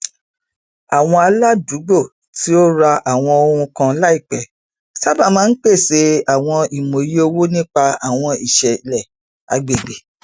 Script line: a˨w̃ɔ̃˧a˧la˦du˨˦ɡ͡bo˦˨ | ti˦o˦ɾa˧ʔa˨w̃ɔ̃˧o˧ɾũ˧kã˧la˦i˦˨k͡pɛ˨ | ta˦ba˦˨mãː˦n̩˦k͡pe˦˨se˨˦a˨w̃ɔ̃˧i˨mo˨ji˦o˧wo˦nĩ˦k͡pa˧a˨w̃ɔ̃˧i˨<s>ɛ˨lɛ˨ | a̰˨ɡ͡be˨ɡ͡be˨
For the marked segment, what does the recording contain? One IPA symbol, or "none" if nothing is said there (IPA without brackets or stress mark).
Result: ʃ